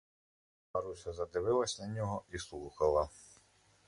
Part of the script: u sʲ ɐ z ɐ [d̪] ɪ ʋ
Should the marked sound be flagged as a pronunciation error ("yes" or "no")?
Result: no